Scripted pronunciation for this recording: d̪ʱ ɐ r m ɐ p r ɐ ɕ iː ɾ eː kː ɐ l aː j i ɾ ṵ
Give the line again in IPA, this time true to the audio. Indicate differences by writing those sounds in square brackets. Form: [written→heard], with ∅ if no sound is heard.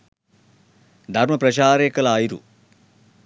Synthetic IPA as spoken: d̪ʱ ɐ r m ɐ p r ɐ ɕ [iː→aː] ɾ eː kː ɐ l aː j i ɾ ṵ